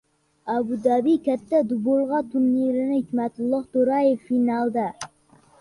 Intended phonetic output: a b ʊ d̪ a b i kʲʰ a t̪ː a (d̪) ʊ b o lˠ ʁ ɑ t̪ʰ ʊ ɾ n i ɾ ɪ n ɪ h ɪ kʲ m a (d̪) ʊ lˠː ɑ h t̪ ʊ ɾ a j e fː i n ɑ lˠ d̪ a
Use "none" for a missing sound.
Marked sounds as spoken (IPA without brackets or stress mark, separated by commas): d̪, t̪